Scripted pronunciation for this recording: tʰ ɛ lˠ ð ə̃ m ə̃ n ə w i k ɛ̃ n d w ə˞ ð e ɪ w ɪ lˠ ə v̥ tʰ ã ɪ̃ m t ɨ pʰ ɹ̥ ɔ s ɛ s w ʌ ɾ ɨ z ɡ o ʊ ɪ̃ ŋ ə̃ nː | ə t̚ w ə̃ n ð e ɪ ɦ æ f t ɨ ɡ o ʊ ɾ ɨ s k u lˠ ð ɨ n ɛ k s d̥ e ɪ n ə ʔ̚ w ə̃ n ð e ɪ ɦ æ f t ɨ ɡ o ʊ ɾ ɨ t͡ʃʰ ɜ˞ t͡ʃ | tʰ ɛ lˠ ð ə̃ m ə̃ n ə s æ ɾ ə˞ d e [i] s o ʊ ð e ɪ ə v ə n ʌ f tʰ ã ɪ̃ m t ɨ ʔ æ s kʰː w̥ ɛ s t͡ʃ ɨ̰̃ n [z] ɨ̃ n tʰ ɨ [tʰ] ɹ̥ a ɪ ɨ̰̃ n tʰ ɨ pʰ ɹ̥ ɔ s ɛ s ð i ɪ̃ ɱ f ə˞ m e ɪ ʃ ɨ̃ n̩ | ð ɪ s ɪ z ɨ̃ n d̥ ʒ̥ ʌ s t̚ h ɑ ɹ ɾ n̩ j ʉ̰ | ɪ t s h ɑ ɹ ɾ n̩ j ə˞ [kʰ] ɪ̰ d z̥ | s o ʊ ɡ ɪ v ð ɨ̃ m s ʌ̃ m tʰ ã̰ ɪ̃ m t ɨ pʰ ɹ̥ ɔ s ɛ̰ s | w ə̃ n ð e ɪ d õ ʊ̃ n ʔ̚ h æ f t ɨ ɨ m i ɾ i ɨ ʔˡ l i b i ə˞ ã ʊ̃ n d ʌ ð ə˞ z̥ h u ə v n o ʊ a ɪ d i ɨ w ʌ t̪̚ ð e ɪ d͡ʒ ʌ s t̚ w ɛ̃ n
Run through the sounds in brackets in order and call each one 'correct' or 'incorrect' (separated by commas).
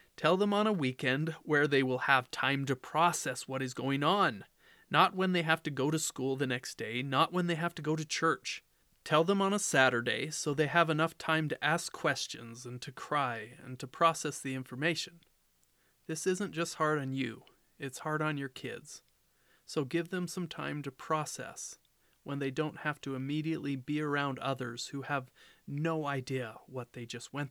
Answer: incorrect, correct, incorrect, correct